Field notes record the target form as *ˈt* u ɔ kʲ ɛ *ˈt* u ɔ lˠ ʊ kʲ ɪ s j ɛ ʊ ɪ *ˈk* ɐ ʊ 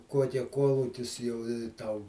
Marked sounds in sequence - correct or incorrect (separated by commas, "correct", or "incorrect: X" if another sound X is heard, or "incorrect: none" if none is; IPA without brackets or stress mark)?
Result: incorrect: k, incorrect: k, incorrect: t